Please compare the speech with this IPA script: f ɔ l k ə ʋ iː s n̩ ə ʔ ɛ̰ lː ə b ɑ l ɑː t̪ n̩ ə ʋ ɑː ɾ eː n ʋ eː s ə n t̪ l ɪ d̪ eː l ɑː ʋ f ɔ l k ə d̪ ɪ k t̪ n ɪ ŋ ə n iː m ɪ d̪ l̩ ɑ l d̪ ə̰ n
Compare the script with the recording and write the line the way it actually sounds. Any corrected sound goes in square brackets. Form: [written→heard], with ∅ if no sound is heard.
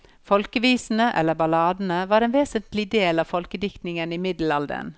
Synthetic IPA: f ɔ l k ə ʋ iː s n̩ ə ʔ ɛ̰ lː ə b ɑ l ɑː [t̪→d̪] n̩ ə ʋ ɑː ɾ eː n ʋ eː s ə n t̪ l ɪ d̪ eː l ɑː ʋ f ɔ l k ə d̪ ɪ k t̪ n ɪ ŋ ə n iː m ɪ d̪ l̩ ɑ l d̪ ə̰ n